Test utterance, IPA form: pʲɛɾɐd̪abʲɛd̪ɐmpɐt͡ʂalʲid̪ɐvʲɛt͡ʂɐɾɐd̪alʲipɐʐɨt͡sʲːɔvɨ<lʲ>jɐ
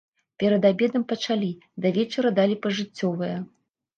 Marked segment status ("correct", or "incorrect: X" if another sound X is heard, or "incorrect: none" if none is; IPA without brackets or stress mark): incorrect: none